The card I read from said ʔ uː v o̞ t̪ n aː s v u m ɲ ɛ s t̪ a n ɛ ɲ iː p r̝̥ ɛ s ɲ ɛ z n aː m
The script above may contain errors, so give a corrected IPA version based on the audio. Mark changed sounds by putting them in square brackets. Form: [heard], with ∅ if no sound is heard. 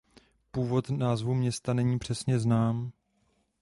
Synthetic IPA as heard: [p] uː v o̞ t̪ n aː [z] v u m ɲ ɛ s t̪ a n ɛ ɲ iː p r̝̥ ɛ s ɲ ɛ z n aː m